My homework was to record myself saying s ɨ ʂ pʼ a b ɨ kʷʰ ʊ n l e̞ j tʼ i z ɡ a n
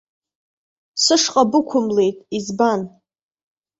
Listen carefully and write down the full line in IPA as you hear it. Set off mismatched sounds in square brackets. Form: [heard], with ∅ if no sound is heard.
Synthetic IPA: s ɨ ʂ [qʼ] a b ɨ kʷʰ ʊ [m] l e̞ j tʼ i z [b] a n